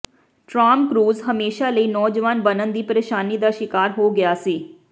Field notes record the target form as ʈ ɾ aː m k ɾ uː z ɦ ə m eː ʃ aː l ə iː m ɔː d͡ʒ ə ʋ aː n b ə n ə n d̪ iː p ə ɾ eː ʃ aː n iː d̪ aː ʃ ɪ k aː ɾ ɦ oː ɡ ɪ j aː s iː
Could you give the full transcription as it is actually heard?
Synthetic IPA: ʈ ɾ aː m k ɾ uː z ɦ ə m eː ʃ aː l ə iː n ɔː d͡ʒ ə ʋ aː n b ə n ə n d̪ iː p ə ɾ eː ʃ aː n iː d̪ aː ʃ ɪ k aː ɾ ɦ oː ɡ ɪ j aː s iː